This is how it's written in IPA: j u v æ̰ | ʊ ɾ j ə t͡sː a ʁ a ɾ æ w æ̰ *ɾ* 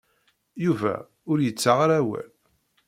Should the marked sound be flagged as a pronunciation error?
yes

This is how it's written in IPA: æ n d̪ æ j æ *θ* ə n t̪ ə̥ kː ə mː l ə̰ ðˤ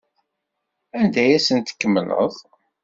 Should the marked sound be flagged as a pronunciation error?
yes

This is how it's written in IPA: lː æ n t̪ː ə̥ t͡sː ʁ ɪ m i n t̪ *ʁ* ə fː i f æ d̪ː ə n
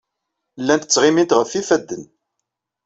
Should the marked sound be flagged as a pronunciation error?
no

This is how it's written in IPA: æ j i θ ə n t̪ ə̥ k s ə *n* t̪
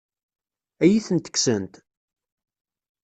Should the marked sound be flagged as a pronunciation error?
no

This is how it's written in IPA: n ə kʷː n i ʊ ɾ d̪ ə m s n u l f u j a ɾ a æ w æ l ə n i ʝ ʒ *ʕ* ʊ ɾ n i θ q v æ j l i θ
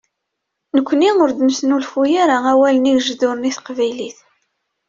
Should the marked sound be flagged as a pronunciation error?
yes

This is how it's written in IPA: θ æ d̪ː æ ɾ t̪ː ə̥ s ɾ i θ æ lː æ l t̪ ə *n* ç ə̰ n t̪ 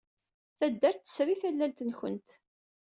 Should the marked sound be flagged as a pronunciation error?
no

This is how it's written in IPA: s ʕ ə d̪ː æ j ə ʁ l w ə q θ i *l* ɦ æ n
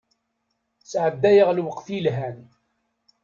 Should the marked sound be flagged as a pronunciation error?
no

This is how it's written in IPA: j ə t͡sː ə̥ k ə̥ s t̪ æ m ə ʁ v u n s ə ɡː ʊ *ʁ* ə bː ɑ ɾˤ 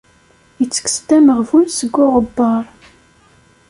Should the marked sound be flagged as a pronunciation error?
no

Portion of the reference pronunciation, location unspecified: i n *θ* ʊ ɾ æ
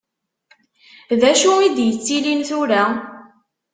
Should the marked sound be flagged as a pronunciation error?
no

